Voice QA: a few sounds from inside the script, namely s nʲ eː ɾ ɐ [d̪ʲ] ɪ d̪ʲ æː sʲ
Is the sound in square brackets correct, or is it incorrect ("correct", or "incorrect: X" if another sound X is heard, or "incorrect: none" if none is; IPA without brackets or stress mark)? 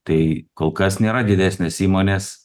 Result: correct